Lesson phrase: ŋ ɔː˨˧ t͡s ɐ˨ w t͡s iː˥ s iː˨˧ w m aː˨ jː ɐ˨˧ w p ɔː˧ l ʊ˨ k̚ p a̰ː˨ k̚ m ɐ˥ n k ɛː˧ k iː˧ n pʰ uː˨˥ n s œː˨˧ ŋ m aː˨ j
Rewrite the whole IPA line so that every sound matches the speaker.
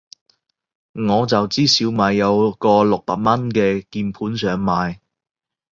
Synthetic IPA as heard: ŋ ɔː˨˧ t͡s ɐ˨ w t͡s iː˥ s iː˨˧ w m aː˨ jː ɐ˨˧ w k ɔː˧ l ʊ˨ k̚ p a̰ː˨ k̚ m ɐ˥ n k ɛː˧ k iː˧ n pʰ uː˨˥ n s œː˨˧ ŋ m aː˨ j